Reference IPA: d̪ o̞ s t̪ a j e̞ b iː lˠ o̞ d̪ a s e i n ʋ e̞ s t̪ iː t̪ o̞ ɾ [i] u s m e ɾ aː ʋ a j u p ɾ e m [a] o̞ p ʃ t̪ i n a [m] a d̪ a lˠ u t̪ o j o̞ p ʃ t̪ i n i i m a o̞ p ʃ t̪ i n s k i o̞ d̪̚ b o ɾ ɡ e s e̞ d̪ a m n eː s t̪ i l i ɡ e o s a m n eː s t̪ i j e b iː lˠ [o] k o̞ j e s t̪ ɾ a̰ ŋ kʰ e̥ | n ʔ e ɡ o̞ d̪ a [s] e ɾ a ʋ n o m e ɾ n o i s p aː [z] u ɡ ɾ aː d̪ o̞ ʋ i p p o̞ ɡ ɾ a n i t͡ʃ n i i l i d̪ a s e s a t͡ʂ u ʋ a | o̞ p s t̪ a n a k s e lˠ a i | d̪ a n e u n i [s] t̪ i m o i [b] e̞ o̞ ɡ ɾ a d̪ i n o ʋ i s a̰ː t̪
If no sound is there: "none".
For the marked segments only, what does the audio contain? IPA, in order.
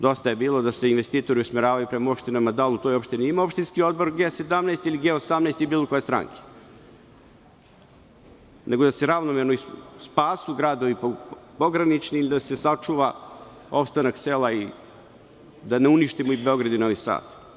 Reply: i, a, m, o, s, s, ʃ, b

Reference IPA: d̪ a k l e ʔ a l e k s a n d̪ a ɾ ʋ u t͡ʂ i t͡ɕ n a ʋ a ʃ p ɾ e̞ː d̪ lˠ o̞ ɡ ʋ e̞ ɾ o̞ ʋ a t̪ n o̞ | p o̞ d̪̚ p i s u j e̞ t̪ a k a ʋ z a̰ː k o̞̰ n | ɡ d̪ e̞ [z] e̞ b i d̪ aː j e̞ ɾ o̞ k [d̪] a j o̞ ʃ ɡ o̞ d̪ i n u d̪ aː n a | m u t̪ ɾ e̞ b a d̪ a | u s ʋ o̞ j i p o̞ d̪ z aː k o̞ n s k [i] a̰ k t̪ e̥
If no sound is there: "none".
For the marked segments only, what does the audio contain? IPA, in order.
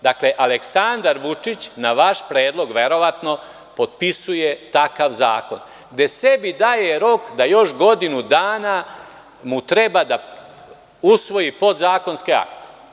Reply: s, d̪, e

